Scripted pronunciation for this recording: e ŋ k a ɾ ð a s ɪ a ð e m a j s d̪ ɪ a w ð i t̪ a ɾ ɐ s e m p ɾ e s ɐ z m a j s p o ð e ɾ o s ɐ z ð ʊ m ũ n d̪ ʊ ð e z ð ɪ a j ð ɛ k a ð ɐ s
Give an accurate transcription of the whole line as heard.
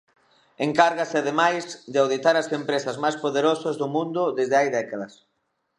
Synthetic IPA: e ŋ k a ɾ ɣ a s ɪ a ð e m a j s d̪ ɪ a w ð i t̪ a ɾ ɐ s e m p ɾ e s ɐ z m a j s p o ð e ɾ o s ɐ z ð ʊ m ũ n d̪ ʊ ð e z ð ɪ a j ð ɛ k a ð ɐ s